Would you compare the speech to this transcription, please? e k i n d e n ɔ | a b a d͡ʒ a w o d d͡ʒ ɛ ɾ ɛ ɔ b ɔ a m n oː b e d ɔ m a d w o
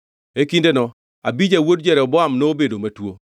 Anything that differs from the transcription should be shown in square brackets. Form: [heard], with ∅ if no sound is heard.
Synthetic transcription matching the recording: e k i n d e n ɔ | a b [i] d͡ʒ a w o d d͡ʒ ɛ ɾ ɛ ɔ b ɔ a m n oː b e d [o] m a [t] w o